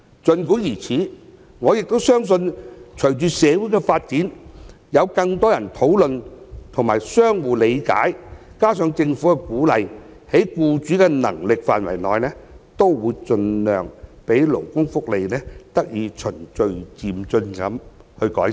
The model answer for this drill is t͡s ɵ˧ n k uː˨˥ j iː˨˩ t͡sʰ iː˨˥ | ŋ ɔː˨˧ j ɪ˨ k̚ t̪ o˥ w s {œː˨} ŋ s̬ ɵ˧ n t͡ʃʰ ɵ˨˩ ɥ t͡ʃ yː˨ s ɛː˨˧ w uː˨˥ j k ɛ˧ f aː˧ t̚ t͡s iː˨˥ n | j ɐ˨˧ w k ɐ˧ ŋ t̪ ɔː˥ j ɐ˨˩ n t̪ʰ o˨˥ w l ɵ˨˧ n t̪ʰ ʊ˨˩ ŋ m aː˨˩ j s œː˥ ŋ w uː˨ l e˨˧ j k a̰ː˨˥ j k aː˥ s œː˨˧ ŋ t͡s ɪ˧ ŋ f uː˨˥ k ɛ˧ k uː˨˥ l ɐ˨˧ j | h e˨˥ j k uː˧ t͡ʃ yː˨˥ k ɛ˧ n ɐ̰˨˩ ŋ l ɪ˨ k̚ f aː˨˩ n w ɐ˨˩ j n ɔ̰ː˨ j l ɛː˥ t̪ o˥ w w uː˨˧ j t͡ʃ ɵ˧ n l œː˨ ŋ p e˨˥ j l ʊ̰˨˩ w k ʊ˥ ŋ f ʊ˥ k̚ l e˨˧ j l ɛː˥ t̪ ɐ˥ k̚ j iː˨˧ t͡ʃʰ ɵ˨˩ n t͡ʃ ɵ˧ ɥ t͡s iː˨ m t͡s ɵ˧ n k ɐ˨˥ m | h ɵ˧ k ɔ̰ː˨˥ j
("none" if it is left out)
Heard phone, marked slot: œː˥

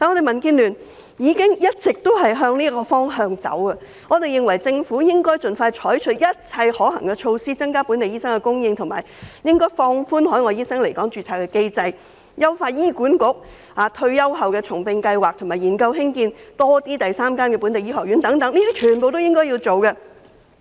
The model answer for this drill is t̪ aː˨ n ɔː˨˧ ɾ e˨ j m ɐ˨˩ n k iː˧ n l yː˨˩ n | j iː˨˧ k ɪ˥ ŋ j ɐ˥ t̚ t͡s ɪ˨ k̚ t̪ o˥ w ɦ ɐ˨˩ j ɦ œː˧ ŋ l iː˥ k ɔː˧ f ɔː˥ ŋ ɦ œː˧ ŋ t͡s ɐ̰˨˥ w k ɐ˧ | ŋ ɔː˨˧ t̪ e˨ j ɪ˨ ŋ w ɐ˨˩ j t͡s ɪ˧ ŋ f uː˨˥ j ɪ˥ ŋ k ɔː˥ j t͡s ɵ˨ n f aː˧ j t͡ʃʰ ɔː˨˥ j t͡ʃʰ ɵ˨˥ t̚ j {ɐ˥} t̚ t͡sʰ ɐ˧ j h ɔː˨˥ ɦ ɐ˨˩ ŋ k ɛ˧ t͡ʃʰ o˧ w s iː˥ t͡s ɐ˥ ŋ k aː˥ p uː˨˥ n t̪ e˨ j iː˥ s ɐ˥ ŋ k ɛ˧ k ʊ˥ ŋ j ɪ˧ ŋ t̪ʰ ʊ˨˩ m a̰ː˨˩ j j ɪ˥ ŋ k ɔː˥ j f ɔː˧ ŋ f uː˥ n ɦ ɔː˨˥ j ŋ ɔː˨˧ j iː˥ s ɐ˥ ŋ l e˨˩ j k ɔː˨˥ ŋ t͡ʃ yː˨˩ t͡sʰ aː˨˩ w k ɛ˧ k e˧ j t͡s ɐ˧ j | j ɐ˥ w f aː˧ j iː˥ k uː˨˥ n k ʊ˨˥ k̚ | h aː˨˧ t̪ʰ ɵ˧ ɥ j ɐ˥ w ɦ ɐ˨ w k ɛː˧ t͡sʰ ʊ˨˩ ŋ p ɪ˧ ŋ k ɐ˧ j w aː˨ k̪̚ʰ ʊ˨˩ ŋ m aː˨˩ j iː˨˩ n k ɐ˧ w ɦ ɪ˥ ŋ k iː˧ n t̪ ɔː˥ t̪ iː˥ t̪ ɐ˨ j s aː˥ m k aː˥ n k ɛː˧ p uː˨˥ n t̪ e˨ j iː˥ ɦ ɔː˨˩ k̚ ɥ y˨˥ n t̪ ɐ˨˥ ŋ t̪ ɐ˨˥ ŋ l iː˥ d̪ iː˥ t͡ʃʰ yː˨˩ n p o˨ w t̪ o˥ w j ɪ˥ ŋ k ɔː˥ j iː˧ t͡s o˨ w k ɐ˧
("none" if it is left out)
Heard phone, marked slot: ɐ˥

